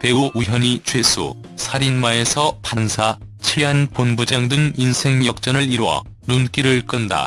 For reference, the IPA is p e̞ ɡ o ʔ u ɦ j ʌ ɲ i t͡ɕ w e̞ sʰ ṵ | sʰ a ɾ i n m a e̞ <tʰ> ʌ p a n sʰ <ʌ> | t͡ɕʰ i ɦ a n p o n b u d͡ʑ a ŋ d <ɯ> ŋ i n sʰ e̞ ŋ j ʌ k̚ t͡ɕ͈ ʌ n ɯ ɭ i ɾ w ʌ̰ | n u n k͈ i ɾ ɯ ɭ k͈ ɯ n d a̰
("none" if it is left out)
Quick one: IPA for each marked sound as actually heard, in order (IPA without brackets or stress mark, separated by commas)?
sʰ, a, ɯ